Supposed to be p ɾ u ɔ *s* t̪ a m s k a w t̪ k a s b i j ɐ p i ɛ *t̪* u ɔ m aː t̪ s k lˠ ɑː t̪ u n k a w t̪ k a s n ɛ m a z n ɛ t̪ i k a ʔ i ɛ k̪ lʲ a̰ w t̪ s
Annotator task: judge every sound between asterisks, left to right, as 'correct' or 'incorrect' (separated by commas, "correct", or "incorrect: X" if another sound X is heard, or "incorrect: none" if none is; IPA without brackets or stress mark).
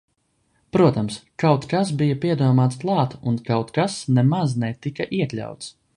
incorrect: none, incorrect: d̪